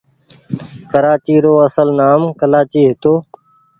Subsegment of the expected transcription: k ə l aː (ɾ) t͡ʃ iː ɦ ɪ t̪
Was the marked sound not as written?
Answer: yes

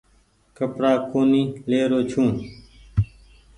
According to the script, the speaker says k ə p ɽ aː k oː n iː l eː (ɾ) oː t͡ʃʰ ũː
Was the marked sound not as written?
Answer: no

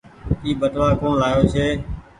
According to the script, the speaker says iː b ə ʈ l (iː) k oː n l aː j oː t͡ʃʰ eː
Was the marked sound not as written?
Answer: yes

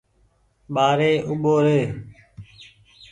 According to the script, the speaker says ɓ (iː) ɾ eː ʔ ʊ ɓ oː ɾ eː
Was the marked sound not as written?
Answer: yes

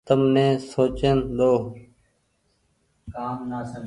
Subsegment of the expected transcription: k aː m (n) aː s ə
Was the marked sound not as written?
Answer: no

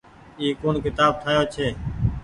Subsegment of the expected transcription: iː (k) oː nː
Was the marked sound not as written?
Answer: no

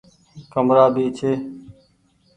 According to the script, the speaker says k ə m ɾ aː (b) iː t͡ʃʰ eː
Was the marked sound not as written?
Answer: no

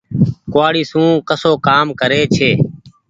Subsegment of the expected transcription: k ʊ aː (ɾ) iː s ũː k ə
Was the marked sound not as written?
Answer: yes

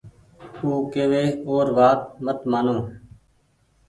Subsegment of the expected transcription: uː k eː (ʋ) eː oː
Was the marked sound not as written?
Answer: no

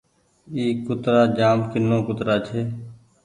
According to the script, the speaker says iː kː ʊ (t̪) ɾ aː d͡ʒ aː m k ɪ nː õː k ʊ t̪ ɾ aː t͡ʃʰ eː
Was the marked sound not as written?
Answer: no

